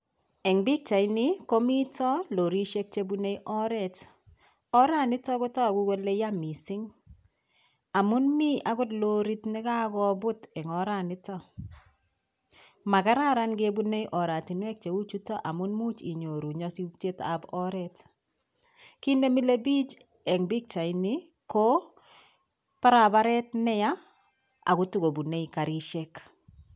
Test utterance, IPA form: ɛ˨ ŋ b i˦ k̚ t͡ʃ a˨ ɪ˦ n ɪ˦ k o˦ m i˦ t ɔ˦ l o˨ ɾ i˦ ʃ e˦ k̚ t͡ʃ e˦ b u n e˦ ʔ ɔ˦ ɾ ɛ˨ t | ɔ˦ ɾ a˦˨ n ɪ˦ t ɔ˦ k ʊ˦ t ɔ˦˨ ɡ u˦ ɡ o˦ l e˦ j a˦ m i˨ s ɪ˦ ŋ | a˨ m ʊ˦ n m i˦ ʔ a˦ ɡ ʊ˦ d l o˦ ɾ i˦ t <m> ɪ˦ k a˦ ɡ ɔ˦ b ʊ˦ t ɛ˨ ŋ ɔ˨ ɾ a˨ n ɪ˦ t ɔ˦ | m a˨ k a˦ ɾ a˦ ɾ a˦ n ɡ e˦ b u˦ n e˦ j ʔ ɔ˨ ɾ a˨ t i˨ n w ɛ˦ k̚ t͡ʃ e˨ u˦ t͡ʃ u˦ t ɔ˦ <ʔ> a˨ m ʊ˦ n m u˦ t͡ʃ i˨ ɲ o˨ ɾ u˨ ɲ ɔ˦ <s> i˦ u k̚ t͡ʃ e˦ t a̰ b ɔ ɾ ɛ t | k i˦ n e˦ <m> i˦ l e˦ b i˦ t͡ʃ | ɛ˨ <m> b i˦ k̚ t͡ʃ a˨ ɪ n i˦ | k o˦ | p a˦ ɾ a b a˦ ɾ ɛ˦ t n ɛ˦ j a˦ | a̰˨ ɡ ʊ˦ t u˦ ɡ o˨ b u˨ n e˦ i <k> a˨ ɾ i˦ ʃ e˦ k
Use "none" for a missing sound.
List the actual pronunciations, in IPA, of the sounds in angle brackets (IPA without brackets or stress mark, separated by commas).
n, ʔ, s, m, ŋ, k